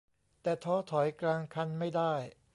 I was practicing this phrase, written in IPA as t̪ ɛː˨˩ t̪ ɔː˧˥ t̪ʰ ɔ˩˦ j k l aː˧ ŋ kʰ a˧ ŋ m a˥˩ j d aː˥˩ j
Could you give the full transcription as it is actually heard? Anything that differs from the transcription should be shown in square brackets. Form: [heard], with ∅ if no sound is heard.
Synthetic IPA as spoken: t̪ ɛː˨˩ [t̪ʰ] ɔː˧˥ t̪ʰ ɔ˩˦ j k l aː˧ ŋ kʰ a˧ [n] m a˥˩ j d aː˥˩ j